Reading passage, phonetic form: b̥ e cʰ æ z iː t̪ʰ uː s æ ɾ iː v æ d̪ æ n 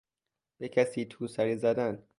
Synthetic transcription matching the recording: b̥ e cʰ æ s iː t̪ʰ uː s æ ɾ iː z æ d̪ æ n